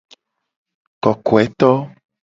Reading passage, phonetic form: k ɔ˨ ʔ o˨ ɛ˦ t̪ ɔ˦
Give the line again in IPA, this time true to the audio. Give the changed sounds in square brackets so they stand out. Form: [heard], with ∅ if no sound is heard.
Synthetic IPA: k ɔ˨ [k] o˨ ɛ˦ t̪ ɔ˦

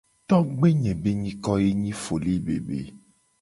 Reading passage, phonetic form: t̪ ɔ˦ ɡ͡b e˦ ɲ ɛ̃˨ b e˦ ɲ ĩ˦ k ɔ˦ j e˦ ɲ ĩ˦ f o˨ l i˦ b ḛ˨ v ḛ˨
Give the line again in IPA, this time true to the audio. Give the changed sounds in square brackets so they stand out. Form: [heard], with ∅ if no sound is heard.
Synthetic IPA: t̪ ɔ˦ ɡ͡b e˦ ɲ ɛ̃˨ b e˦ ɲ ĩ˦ k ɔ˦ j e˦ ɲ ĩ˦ f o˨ l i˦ b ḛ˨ [b] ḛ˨

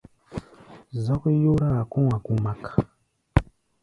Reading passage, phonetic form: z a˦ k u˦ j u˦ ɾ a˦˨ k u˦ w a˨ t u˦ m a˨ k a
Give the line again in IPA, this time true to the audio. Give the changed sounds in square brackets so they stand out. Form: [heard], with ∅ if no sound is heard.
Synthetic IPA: z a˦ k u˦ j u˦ ɾ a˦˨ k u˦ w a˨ [k] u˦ m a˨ k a

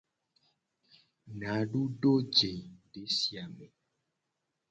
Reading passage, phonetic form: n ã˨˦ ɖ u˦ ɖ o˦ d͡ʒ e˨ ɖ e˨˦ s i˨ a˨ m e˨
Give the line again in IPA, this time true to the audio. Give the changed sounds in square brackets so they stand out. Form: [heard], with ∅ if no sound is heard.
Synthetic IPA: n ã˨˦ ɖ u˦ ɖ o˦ d͡ʒ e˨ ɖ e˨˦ s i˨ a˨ m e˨

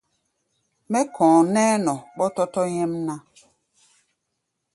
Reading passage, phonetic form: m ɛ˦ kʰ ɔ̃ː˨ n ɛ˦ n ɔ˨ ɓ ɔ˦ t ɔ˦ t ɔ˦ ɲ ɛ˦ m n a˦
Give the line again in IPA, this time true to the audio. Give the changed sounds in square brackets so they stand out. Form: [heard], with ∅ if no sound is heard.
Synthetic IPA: m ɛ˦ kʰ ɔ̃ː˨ n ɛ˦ n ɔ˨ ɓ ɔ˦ t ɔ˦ t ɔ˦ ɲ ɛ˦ m n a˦

